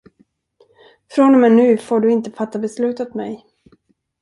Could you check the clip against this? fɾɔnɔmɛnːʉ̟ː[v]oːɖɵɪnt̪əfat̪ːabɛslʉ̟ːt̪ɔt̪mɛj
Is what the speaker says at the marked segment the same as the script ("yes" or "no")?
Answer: no